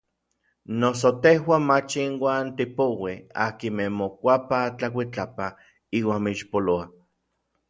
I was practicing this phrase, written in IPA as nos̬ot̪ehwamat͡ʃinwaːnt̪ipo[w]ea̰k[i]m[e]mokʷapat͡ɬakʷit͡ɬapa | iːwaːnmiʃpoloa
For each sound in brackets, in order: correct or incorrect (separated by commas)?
correct, correct, correct